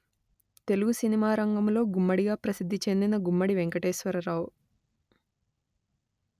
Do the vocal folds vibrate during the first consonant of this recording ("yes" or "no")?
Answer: no